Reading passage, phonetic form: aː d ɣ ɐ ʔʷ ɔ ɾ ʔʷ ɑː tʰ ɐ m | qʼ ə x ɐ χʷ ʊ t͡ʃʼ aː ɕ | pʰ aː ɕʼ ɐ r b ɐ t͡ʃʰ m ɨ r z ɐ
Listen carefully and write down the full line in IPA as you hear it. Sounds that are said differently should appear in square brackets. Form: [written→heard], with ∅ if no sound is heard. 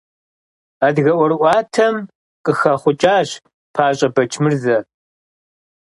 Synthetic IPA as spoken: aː d ɣ ɐ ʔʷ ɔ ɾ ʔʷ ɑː tʰ ɐ m | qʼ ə x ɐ χʷ ʊ t͡ʃʼ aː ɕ | pʰ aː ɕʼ ɐ [r→∅] b ɐ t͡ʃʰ m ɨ r z ɐ